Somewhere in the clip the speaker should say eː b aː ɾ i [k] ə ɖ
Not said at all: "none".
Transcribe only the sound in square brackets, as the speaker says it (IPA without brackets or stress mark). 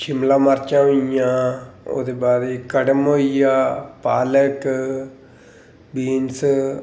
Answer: k